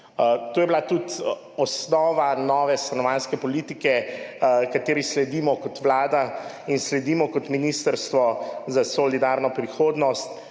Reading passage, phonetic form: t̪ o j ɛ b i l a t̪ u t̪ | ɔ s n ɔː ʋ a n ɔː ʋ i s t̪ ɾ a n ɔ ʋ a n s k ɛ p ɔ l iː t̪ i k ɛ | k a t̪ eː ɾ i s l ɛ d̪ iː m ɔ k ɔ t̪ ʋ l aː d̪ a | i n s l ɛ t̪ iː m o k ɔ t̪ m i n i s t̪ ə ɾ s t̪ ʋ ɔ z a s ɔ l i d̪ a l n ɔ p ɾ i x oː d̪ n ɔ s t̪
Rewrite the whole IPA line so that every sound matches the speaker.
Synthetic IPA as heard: t̪ o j ɛ b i l a t̪ u t̪ | ɔ s n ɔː ʋ a n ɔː ʋ ɛ s t̪ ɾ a n ɔ ʋ a n s k ɛ p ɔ l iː t̪ i k ɛ | k a t̪ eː ɾ i s l ɛ d̪ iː m ɔ k ɔ t̪ ʋ l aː d̪ a | i n s l ɛ d̪ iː m ɔ k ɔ t̪ m i n i s t̪ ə ɾ s t̪ ʋ ɔ z a s ɔ l i d̪ a ɾ n ɔ p ɾ i x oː d̪ n ɔ s t̪